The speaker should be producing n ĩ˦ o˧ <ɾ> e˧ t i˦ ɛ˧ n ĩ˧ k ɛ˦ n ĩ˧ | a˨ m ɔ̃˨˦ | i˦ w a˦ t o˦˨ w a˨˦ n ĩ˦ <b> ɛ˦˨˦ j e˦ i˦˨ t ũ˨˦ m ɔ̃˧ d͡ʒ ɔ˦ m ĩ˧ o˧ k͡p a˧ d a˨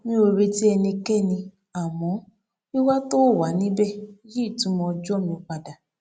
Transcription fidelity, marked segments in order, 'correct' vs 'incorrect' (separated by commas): correct, correct